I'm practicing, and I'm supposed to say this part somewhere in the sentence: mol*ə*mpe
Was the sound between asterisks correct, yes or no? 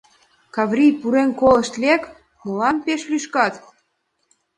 no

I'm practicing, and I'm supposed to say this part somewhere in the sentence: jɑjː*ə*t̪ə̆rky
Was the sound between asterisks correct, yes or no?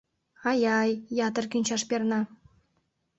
no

